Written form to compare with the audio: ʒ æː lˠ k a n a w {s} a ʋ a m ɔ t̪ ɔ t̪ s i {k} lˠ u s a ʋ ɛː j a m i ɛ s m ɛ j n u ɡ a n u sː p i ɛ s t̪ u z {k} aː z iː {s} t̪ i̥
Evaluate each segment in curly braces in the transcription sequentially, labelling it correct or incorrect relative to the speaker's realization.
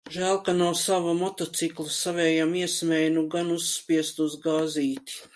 correct, correct, incorrect: ɡ, incorrect: none

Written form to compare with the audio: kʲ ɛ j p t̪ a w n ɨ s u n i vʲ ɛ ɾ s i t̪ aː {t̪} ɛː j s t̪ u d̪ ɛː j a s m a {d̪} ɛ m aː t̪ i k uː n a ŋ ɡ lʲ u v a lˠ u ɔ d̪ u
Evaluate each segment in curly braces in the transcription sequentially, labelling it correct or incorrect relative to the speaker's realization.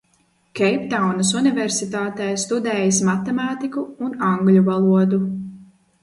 correct, incorrect: t̪

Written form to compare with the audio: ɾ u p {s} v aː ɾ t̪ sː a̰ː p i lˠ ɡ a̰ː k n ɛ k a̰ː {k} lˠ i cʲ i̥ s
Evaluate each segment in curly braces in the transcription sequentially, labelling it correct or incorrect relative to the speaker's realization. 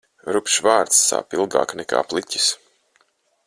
incorrect: ʃ, incorrect: p

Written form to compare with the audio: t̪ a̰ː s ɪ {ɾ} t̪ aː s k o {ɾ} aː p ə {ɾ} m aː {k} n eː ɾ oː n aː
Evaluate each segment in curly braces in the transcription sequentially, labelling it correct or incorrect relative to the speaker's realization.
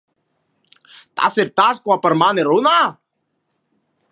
correct, incorrect: none, correct, incorrect: none

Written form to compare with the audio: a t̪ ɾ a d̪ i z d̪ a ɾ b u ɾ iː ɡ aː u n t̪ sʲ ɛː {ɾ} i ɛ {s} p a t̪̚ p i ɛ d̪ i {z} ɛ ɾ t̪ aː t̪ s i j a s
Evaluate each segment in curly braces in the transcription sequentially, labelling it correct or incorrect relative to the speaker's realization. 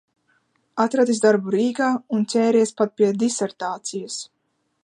correct, correct, incorrect: s

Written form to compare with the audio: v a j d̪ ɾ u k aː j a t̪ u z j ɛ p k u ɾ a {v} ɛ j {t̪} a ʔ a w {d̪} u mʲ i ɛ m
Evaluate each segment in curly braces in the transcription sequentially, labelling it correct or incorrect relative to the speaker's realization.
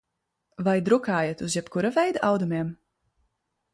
correct, incorrect: d̪, correct

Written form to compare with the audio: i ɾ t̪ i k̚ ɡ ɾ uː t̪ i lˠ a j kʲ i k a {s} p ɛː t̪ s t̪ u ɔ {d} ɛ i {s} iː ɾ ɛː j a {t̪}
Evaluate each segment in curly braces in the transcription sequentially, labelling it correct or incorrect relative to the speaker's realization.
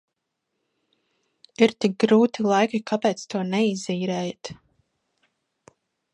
incorrect: none, incorrect: n, incorrect: z, correct

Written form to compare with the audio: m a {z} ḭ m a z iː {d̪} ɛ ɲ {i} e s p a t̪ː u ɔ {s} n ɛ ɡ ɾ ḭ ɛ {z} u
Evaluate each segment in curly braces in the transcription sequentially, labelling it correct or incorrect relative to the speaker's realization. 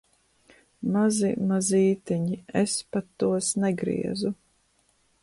correct, incorrect: t̪, correct, correct, correct

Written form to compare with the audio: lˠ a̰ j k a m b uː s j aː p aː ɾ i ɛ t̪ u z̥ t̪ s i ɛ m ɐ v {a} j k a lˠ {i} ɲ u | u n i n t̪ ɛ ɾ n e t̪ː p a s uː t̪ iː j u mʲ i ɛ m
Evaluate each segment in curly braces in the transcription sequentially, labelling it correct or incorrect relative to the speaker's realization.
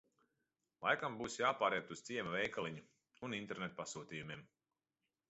incorrect: ɛ, correct

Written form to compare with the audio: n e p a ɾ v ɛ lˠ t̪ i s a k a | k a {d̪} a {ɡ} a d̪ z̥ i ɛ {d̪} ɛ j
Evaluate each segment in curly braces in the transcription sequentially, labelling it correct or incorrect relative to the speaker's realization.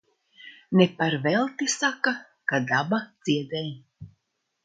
correct, incorrect: b, correct

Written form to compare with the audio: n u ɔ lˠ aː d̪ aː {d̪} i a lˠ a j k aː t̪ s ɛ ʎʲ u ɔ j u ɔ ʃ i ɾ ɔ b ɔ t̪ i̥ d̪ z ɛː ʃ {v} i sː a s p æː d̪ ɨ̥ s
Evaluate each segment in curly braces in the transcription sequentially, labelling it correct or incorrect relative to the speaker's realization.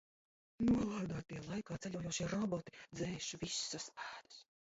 incorrect: t̪, correct

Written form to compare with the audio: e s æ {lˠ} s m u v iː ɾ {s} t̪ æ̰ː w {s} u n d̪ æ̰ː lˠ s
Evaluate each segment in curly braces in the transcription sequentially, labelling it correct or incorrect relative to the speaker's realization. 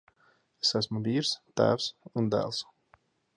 incorrect: none, correct, correct

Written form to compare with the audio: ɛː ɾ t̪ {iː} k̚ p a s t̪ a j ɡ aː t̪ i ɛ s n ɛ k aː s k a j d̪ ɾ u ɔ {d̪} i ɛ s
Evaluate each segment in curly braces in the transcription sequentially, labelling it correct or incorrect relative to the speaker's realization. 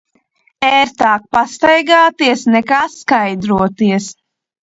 incorrect: aː, incorrect: t̪

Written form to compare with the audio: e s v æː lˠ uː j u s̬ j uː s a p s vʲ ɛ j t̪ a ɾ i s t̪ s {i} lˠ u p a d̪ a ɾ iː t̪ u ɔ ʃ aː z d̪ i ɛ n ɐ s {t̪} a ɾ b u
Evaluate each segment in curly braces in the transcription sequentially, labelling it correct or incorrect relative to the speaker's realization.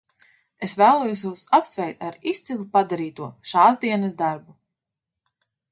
correct, incorrect: d̪

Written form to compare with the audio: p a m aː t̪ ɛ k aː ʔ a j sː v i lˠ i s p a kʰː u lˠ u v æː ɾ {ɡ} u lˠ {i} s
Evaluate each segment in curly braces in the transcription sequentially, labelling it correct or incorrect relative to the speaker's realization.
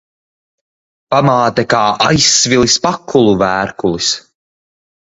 incorrect: k, correct

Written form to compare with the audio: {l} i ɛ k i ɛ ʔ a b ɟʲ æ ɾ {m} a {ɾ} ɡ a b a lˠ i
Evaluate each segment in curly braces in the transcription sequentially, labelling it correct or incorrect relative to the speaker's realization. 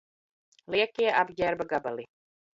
correct, incorrect: b, incorrect: none

